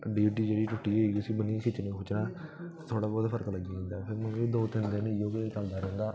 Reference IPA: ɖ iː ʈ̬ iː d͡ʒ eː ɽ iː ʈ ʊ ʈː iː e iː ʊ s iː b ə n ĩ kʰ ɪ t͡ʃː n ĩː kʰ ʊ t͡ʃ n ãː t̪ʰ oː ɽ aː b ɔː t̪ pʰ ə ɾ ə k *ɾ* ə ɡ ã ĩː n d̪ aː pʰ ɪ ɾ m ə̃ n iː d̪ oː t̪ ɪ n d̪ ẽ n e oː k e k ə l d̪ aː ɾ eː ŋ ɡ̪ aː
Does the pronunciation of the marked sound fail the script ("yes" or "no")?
yes